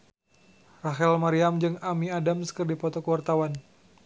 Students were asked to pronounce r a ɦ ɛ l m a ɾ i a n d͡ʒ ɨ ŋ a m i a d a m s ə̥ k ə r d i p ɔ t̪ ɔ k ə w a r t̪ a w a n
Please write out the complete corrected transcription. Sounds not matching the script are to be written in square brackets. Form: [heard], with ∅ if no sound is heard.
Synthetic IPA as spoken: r a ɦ ɛ l m a ɾ i a [m] d͡ʒ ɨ ŋ a m i a d a m s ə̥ k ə r d i p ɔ t̪ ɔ k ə w a r t̪ a w a n